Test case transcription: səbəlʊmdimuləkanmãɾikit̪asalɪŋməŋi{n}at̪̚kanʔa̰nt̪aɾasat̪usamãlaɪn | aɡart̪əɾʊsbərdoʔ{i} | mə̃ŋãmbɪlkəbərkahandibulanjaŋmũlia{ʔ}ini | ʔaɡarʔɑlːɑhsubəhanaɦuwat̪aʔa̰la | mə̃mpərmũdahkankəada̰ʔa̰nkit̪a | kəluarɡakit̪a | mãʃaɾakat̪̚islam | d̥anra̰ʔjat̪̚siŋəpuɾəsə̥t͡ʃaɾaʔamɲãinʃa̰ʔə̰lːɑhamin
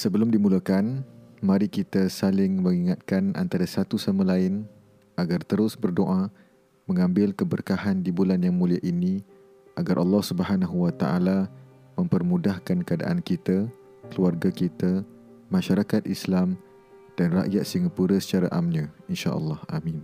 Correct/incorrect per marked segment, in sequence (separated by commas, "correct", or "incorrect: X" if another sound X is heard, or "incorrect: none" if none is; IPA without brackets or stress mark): incorrect: ŋ, incorrect: a, correct